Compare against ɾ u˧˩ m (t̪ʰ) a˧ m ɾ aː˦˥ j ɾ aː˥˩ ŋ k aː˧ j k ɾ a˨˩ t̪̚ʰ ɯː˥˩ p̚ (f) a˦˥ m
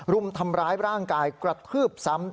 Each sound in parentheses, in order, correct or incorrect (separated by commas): correct, incorrect